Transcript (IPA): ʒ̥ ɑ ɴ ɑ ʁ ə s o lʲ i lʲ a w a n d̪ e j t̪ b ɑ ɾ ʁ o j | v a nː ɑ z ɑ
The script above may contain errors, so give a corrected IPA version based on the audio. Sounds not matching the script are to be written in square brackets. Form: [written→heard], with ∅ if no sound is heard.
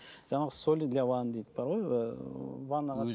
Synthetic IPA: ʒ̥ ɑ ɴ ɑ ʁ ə s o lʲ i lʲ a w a n d̪ e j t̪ b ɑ ɾ ʁ o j | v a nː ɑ [z→ʁ] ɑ